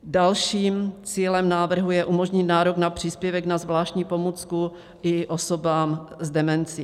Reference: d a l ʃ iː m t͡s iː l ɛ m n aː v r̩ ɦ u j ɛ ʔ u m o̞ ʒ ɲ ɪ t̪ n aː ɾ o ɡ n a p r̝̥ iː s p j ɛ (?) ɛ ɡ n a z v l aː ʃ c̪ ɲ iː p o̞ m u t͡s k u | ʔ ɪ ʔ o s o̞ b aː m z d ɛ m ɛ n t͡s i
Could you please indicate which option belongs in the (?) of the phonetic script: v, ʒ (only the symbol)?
v